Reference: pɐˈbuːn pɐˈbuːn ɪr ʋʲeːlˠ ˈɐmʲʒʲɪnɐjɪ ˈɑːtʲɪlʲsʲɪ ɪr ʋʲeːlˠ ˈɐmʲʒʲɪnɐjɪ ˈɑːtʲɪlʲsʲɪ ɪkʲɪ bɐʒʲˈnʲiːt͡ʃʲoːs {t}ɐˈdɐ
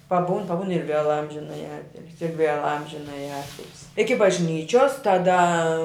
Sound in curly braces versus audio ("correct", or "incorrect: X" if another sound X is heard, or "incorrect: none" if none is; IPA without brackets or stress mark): correct